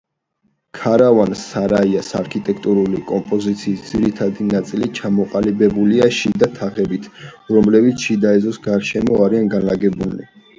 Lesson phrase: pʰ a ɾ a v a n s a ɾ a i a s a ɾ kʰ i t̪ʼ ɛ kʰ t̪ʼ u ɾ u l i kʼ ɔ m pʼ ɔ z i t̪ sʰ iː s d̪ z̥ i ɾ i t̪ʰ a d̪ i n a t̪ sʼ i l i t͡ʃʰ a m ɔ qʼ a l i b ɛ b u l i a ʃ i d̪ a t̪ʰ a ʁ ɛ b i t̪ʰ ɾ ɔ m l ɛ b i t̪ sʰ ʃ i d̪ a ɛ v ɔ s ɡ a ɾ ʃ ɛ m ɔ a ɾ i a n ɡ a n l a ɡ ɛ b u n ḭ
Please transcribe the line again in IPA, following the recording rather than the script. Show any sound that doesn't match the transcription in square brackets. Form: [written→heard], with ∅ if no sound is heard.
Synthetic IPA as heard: [pʰ→kʰ] a ɾ a v a n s a ɾ a i a s a ɾ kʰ i t̪ʼ ɛ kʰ t̪ʼ u ɾ u l i kʼ ɔ m pʼ ɔ z i t̪ sʰ iː s d̪ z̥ i ɾ i t̪ʰ a d̪ i n a t̪ sʼ i l i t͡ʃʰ a m ɔ qʼ a l i b ɛ b u l i a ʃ i d̪ a t̪ʰ a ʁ ɛ b i t̪ʰ ɾ ɔ m l ɛ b i t̪ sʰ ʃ i d̪ a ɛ [v→z] ɔ s ɡ a ɾ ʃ ɛ m ɔ a ɾ i a n ɡ a n l a ɡ ɛ b u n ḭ